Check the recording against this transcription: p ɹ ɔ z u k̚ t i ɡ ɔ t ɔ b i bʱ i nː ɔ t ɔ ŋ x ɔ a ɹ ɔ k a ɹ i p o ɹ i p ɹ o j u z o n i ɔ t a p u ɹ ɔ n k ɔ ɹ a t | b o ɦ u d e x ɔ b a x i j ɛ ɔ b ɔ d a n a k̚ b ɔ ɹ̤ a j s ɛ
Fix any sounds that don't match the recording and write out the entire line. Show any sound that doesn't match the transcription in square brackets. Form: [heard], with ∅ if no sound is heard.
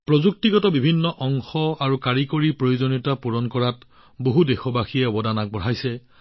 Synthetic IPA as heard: p ɹ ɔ z u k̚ t i ɡ ɔ t ɔ b i bʱ i nː ɔ [ʔ] ɔ ŋ x ɔ a ɹ [u] k a ɹ i [k] o ɹ i p ɹ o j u z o n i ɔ t a p u ɹ ɔ n k ɔ ɹ a t | b o ɦ u d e x ɔ b a x i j ɛ ɔ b ɔ d a n a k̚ b ɔ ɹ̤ a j s ɛ